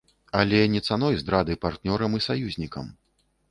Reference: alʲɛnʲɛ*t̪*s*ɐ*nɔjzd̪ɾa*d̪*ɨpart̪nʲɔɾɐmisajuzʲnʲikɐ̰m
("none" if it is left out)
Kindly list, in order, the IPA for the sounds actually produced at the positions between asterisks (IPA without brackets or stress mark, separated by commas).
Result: t̪, a, d̪